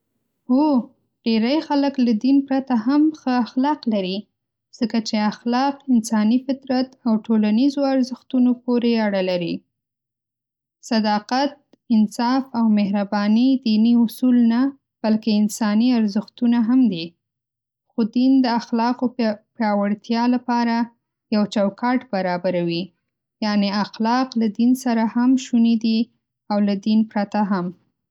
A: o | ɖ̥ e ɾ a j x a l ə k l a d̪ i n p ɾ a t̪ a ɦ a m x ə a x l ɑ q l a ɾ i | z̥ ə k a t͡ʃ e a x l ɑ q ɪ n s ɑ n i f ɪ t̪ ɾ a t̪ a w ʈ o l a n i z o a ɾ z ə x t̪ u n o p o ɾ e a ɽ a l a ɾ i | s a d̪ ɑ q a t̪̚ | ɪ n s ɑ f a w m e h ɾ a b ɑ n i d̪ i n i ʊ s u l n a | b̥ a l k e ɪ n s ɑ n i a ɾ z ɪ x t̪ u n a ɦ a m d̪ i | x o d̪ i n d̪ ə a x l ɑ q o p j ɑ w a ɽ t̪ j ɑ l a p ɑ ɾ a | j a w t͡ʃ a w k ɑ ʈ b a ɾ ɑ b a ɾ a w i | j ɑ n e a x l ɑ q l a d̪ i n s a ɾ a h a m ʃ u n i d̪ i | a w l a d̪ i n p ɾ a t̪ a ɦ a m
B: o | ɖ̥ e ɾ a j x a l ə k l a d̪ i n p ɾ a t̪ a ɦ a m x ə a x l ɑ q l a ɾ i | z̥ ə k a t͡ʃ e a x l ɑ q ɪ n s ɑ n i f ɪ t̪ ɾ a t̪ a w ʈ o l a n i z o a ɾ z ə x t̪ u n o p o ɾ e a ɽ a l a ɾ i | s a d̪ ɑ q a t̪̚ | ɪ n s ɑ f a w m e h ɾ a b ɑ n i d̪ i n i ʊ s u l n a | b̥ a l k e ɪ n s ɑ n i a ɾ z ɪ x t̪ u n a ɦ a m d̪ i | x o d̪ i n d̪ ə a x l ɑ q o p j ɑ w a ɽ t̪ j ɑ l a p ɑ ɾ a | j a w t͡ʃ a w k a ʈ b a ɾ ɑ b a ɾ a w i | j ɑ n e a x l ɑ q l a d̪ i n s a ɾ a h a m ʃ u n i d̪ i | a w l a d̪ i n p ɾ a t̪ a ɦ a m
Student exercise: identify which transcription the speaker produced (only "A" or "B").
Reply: A